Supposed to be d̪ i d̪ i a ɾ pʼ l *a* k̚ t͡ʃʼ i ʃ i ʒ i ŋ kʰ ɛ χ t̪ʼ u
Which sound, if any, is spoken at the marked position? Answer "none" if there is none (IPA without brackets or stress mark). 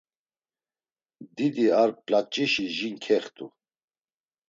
a